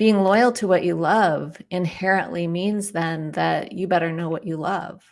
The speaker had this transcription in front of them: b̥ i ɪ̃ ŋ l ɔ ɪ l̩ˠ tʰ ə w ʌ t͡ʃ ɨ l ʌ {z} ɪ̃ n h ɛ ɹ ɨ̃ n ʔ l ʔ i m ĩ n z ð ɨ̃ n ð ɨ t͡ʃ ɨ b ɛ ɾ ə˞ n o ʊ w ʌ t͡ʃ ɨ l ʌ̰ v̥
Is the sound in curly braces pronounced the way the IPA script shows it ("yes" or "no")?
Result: no